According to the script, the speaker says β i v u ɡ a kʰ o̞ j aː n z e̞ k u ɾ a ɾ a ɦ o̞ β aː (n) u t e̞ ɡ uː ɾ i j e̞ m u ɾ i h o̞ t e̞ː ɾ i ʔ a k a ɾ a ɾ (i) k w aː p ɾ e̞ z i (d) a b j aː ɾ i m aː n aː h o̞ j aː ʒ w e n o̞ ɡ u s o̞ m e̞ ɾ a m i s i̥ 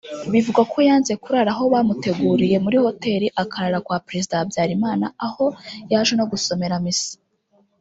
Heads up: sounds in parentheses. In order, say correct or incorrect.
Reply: incorrect: m, incorrect: a, correct

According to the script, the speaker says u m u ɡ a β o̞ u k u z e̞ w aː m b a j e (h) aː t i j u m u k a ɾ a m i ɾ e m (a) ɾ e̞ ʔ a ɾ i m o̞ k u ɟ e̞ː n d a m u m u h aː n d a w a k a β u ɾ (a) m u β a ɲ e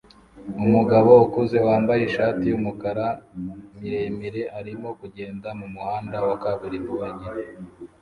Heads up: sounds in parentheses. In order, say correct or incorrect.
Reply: incorrect: ʃ, incorrect: i, incorrect: i

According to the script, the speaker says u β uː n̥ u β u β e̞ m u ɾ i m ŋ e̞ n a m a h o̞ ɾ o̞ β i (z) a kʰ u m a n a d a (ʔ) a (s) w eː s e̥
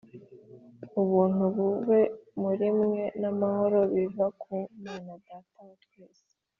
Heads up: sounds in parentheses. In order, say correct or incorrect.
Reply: incorrect: v, incorrect: t, incorrect: t

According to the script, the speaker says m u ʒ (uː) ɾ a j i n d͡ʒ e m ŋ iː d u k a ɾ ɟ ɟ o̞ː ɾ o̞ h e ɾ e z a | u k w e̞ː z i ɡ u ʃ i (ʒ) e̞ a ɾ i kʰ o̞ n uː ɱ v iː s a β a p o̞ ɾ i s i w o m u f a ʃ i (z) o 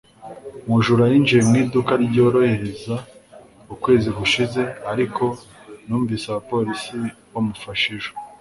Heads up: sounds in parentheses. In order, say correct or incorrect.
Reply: incorrect: u, incorrect: z, incorrect: ʒ

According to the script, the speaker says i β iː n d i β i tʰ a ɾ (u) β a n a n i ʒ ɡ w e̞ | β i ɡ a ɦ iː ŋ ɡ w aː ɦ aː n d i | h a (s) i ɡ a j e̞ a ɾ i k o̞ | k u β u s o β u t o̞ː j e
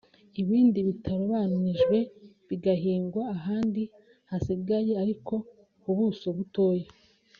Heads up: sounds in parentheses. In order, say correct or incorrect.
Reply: incorrect: o, correct

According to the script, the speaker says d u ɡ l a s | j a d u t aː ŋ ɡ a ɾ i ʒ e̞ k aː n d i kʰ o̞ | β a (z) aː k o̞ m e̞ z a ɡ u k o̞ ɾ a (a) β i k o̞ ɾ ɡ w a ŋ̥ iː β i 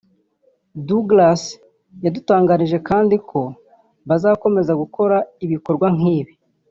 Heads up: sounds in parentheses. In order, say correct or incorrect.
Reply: correct, incorrect: i

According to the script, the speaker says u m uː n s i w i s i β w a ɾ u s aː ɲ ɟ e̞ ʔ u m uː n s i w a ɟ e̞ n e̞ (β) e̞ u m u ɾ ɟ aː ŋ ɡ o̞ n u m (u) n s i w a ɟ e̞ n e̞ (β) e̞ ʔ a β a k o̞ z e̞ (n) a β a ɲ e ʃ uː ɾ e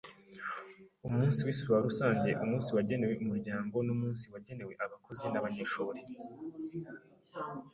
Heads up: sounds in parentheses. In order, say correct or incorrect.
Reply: incorrect: w, incorrect: uː, incorrect: w, correct

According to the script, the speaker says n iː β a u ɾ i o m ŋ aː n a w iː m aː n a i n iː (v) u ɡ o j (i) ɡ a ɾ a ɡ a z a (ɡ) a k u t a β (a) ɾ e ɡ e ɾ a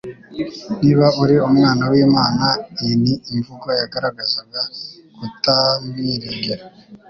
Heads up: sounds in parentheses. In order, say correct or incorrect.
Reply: correct, incorrect: a, correct, incorrect: i

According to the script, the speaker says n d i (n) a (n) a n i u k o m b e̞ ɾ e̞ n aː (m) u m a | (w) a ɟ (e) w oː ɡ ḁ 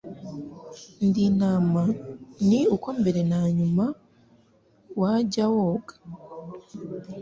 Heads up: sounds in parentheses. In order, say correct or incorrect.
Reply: correct, incorrect: m, incorrect: ɲ, correct, incorrect: a

